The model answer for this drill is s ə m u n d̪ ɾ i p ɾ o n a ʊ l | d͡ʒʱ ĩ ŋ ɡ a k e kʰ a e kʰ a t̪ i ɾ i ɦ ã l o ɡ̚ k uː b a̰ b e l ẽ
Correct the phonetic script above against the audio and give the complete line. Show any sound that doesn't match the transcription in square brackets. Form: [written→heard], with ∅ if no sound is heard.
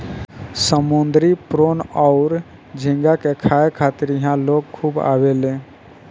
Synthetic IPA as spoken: s ə m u n d̪ ɾ i p ɾ o n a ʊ [l→ɾ] | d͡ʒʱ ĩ ŋ ɡ a k e kʰ a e kʰ a t̪ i ɾ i ɦ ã l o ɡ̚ [k→kʰ] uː b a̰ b e l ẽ